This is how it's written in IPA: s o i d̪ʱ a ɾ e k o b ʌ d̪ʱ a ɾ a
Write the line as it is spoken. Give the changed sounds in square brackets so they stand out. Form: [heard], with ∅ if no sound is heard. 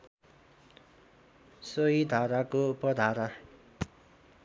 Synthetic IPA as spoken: s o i d̪ʱ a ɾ [a] k o [p] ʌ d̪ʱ a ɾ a